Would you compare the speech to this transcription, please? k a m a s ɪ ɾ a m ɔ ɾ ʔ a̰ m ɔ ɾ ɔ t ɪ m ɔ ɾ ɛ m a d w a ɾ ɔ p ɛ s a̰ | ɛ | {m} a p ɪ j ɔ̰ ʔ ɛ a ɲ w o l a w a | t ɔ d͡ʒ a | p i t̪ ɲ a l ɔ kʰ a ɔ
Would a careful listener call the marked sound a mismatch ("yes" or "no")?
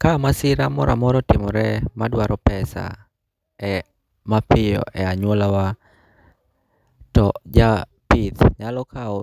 no